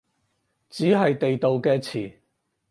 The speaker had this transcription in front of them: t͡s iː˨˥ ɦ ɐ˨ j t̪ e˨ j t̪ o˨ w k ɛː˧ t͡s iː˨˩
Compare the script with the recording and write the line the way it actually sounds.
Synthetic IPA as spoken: t͡s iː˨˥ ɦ ɐ˨ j t̪ e˨ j t̪ o˨ w k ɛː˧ t͡sʰ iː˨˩

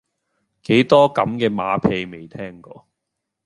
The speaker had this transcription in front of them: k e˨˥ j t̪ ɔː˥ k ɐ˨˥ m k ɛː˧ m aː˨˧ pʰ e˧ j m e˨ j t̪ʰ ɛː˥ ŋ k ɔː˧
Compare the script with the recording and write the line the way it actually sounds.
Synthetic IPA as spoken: k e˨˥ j t̪ ɔː˥ k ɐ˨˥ m k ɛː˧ m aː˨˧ pʰ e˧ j m e˨ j t̪ʰ ɛː˥ ŋ k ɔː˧

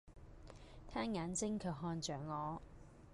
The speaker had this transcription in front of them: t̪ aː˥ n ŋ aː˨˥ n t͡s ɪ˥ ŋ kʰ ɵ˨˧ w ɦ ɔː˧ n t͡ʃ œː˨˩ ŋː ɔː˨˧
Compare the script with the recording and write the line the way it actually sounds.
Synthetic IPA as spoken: t̪ʰ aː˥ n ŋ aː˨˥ n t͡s ɪ˥ ŋ kʰ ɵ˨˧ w ɦ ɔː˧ n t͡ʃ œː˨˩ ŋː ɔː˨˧

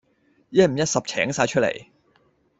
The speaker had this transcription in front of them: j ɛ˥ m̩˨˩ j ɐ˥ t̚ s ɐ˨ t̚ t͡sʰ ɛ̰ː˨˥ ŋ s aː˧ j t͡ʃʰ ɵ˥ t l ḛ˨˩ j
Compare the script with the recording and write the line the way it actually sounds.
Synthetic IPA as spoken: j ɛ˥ m̩˨˩ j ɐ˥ t̚ s ɐ˨ p̚ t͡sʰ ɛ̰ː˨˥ ŋ s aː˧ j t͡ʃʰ ɵ˥ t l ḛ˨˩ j

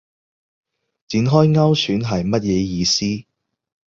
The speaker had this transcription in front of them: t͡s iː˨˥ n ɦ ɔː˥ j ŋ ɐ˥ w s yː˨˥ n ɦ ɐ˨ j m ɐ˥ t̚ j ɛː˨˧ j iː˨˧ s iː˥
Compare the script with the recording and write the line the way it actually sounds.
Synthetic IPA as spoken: t͡s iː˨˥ n ɦ ɔː˥ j ŋ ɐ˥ w s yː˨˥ n ɦ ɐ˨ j m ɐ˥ t̚ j ɛː˨˧ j iː˨˧ s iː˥

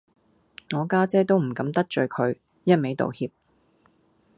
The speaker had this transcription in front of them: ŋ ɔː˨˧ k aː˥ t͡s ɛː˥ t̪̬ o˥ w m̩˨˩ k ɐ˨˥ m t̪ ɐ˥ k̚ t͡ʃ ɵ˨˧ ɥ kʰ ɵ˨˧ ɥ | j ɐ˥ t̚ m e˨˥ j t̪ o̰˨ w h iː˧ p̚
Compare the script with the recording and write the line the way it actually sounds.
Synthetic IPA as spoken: ŋ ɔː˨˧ k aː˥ t͡s ɛː˥ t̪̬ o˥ w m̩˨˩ k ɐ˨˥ m t̪ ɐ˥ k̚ t͡ʃ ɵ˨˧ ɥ kʰ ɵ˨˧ ɥ | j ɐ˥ t̚ m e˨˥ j t̪ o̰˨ w h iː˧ p̚

